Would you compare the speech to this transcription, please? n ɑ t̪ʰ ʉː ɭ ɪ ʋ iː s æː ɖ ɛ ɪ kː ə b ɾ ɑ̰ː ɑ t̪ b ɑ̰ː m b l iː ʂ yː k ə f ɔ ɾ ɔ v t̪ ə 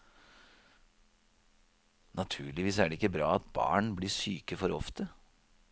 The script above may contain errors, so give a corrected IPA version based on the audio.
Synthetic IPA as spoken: n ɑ t̪ʰ ʉː ɭ ɪ ʋ iː s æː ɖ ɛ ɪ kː ə b ɾ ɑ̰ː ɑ t̪ b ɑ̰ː ɳ b l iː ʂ yː k ə f ɔ ɾ ɔ f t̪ ə